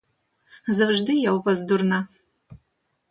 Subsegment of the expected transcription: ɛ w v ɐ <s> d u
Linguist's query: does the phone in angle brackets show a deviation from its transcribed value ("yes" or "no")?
yes